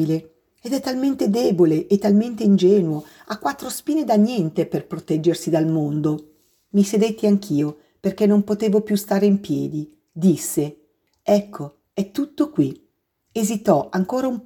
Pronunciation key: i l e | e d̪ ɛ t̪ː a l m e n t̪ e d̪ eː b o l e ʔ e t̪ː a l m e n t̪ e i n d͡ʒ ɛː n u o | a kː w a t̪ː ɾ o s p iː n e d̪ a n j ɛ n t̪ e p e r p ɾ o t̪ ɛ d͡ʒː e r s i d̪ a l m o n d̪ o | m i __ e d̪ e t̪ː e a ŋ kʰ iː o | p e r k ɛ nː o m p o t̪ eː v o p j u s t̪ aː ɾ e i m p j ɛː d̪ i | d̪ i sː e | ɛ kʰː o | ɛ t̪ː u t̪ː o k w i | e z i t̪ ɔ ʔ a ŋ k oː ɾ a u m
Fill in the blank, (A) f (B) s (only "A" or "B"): B